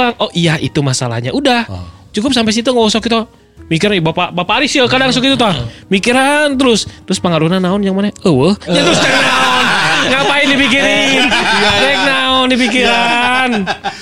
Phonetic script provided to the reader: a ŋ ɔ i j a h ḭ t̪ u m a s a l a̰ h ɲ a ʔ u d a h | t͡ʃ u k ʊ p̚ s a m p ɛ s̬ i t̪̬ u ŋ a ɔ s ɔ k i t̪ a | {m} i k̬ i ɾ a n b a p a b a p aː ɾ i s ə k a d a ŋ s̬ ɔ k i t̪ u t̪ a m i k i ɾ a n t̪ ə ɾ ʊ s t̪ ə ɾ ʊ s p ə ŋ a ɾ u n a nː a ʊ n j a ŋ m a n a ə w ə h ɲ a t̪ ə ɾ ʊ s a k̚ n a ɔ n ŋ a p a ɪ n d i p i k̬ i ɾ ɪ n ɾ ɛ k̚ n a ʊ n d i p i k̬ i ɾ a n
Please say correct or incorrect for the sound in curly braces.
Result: correct